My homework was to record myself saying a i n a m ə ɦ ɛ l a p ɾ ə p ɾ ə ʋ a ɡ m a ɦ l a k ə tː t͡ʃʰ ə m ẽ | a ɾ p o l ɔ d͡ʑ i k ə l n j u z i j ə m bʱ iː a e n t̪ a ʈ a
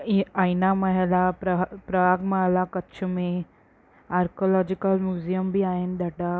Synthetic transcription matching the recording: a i n a m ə ɦ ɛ l a p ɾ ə p ɾ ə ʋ a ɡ m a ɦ l a k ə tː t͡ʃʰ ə m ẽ | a ɾ k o l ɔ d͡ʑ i k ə l m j u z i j ə m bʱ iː a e n d̪ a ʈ a